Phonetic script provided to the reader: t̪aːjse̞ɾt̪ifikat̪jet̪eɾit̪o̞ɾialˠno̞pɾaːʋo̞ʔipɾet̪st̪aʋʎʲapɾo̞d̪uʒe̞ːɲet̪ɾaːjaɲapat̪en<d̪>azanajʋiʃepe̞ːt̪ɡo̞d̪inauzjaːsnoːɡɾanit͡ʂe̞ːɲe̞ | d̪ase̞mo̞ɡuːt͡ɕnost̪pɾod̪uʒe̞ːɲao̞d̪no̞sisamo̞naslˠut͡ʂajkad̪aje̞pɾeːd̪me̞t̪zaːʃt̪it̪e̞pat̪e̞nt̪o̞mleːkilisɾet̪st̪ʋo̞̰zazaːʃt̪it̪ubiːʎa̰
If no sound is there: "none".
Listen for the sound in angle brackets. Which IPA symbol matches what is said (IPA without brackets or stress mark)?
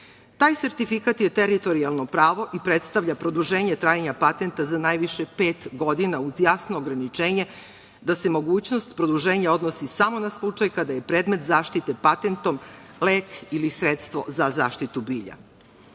t̪